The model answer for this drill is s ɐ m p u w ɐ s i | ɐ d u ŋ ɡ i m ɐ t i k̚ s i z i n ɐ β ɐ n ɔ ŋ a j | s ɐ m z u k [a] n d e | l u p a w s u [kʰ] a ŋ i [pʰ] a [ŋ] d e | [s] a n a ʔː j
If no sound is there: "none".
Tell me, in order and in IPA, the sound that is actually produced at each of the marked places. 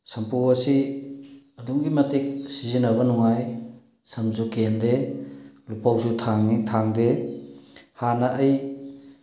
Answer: e, tʰ, tʰ, ŋ, h

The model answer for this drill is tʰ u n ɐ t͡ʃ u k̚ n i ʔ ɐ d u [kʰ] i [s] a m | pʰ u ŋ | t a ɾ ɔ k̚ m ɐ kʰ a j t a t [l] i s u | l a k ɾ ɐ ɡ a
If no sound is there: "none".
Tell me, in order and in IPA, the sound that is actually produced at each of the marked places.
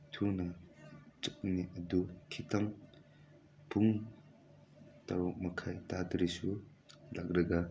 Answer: kʰ, t, ɾ

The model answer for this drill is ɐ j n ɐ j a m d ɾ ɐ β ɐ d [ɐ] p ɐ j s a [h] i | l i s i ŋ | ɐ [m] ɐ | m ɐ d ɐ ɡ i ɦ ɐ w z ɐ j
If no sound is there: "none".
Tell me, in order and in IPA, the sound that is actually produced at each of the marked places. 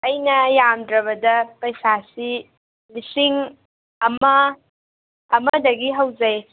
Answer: ɐ, s, m

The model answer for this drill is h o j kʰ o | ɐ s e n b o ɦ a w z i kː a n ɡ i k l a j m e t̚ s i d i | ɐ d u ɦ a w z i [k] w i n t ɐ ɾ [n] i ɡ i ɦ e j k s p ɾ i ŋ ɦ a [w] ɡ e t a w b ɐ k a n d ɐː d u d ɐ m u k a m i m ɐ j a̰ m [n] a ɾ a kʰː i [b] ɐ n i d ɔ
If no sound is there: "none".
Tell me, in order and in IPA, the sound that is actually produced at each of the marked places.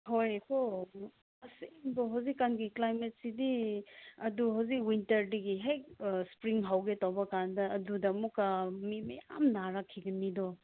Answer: k, d, w, n, ɡ

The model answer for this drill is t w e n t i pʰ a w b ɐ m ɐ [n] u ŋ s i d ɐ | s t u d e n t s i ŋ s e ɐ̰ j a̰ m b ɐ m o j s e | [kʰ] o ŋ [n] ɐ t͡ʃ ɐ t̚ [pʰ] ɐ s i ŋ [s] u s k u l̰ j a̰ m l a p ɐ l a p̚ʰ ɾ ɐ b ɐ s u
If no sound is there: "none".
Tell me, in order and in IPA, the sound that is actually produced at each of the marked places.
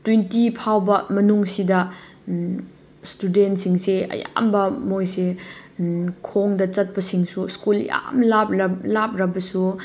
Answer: n, kʰ, d, p, s

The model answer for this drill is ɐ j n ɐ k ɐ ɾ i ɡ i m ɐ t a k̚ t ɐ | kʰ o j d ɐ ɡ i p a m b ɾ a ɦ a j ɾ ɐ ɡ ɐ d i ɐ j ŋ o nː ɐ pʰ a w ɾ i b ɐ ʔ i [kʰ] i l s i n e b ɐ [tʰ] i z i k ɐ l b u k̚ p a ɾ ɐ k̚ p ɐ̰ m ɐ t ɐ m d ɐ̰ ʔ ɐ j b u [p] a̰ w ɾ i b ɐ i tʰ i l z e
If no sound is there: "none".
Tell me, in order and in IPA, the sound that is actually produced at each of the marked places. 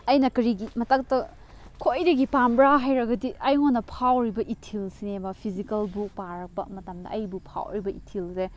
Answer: tʰ, pʰ, pʰ

